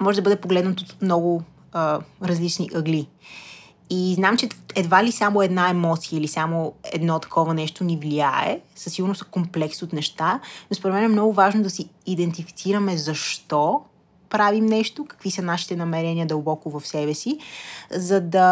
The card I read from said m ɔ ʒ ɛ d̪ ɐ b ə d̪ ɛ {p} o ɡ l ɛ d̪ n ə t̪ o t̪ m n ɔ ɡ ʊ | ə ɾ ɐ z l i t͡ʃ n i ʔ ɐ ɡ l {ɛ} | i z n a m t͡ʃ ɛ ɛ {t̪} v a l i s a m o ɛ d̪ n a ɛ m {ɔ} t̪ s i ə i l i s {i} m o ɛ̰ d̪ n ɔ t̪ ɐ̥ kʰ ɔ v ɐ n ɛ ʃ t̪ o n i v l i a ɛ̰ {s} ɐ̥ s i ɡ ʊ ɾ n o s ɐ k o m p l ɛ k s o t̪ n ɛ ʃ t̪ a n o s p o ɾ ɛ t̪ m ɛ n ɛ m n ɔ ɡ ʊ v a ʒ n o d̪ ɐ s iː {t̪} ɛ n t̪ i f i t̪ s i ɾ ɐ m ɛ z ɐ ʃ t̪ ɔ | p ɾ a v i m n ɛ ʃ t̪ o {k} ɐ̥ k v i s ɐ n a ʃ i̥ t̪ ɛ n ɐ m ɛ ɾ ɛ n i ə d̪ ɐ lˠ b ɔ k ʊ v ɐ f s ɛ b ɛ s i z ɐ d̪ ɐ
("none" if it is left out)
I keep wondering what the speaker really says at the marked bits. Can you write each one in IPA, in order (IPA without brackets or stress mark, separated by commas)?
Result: p, i, d̪, ɔ, a, s, d̪, k